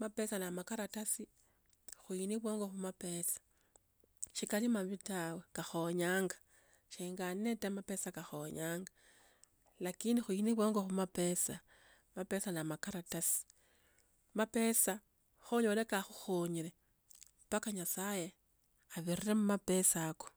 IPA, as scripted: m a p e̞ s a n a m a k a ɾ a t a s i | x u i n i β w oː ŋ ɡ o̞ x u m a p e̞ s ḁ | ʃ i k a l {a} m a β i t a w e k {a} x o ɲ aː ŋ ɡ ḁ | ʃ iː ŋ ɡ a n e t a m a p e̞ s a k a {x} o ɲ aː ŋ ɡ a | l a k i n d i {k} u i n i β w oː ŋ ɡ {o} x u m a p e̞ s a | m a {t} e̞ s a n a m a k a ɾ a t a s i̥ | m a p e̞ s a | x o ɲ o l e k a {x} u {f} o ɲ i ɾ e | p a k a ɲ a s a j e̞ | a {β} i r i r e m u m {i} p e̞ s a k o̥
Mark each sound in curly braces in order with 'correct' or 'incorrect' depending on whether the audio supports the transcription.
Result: incorrect, correct, correct, incorrect, correct, incorrect, correct, incorrect, correct, incorrect

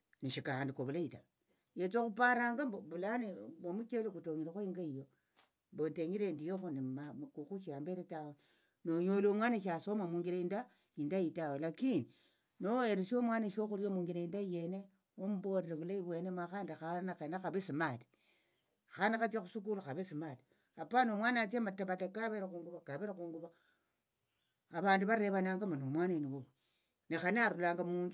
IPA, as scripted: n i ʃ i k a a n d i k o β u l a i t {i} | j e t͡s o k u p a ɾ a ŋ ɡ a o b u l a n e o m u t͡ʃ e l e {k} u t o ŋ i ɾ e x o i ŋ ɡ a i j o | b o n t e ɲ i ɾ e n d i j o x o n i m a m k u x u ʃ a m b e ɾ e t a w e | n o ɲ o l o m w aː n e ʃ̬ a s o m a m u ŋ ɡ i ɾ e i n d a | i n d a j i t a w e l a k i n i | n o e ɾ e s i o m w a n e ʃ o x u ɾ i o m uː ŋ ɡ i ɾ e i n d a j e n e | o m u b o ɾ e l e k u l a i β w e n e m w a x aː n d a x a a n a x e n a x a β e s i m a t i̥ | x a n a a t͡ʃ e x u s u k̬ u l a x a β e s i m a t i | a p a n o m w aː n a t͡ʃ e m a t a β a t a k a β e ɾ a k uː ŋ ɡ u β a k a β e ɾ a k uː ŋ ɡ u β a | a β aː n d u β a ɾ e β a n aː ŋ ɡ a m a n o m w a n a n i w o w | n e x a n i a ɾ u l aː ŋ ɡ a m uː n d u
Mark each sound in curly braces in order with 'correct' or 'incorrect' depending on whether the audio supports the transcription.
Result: incorrect, correct

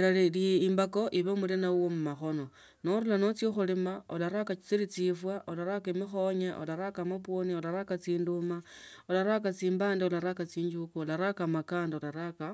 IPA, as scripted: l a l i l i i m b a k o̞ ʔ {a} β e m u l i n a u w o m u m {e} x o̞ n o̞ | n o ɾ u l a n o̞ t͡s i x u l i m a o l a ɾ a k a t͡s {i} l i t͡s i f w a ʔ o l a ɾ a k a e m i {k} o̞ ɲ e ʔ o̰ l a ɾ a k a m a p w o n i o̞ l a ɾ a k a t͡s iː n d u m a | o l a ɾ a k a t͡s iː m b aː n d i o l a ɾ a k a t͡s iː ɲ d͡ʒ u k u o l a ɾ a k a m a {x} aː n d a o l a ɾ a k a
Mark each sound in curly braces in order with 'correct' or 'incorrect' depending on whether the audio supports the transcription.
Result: incorrect, incorrect, correct, incorrect, incorrect

